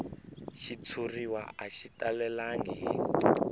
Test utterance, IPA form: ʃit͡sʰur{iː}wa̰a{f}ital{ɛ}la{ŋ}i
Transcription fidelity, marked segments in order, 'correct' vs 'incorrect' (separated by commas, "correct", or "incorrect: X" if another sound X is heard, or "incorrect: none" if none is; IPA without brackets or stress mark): incorrect: i, incorrect: ʃ, correct, correct